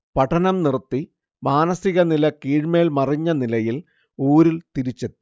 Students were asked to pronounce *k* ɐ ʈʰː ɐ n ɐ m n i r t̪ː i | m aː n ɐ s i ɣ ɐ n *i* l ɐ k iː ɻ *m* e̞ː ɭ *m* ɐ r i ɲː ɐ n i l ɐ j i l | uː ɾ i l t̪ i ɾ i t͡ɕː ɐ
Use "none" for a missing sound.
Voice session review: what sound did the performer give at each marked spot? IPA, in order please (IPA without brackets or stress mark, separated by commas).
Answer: p, i, m, m